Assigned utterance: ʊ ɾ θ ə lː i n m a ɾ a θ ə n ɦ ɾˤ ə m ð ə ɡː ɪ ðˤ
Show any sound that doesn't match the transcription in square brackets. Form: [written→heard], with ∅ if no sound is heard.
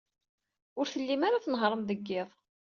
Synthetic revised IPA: ʊ ɾ θ ə lː i [n→∅] m a ɾ a θ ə n ɦ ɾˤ ə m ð ə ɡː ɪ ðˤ